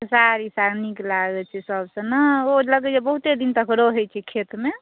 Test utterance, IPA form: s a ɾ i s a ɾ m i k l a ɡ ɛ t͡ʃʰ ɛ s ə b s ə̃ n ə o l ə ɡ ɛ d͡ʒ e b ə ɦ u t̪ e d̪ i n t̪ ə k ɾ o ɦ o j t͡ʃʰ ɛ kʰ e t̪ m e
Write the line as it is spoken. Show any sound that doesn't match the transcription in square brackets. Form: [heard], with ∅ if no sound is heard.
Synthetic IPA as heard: s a ɾ i s a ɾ [n] i k l a ɡ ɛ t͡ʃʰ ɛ s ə b s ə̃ n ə o l ə ɡ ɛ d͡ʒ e b ə ɦ u t̪ e d̪ i n t̪ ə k ɾ o ɦ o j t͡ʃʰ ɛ kʰ e t̪ m e